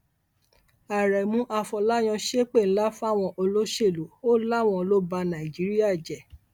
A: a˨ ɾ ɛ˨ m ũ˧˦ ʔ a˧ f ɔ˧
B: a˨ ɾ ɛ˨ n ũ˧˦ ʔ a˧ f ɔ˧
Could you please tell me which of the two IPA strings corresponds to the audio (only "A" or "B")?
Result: A